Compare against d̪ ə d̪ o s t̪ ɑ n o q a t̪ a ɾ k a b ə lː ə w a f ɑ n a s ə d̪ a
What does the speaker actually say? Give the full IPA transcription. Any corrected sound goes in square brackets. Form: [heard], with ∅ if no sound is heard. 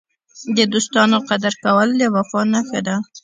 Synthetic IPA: d̪ ə d̪ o s t̪ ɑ n o q a [d̪] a ɾ k a [w] ə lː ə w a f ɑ n a [x] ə d̪ a